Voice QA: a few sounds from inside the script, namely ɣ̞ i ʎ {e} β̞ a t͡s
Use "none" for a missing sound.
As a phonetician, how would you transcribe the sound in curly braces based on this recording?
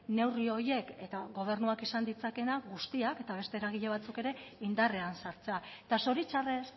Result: e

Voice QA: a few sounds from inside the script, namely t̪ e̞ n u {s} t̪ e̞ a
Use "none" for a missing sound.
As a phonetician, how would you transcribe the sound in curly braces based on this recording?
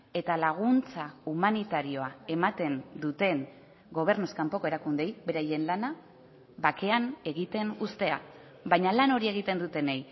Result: s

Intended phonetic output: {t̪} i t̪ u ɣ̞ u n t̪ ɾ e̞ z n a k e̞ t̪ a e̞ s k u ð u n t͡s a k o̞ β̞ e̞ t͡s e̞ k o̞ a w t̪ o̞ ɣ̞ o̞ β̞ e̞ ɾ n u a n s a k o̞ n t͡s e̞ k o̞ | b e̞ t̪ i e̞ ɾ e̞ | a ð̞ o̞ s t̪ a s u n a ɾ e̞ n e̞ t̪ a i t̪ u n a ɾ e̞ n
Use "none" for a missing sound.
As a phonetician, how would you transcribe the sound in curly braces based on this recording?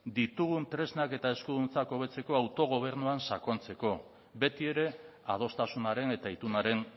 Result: d̪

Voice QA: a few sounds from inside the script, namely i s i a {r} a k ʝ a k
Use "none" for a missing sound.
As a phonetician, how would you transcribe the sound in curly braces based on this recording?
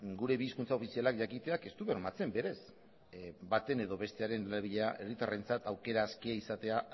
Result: l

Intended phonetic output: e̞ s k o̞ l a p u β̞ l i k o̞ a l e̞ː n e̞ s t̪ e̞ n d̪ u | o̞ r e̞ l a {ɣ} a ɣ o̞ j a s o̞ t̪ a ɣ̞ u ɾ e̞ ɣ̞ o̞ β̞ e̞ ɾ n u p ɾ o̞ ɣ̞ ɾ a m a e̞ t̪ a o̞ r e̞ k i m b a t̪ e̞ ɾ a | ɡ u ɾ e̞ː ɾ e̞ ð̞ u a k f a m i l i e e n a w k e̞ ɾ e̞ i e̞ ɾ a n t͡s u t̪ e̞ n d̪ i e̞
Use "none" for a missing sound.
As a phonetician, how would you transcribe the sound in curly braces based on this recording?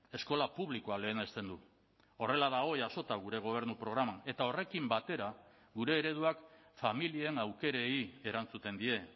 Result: ð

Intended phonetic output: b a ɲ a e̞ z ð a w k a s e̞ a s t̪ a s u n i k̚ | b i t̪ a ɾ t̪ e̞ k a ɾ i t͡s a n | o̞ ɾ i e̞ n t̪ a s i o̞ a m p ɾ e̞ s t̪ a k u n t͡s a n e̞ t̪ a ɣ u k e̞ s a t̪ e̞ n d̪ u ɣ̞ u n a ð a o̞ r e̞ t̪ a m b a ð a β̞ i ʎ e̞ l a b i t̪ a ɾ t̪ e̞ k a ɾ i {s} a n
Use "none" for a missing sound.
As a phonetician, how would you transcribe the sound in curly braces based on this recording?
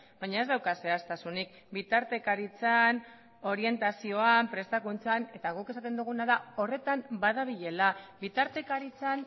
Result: t͡s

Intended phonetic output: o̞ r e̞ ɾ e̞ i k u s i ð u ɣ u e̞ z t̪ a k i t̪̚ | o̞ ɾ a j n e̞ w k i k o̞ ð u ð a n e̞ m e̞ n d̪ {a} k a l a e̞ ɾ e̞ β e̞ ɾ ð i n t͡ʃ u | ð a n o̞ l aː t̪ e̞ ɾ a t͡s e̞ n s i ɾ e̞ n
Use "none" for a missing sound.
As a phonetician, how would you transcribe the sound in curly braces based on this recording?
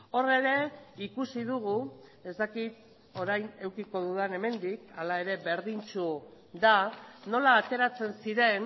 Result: i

